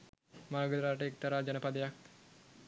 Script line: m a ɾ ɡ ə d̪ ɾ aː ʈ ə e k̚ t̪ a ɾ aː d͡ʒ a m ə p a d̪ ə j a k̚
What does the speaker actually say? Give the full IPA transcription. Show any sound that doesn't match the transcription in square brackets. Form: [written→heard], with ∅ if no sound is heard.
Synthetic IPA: m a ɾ ɡ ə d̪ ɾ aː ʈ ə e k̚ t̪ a ɾ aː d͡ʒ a [m→n] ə p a d̪ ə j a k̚